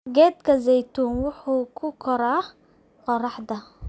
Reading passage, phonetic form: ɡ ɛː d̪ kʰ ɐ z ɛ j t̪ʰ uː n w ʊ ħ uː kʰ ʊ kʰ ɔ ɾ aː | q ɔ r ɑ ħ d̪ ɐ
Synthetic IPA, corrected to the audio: ɡ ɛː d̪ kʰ ɐ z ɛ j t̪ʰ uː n w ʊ ħ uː kʰ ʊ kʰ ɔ ɾ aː | q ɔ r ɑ ħ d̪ ɐ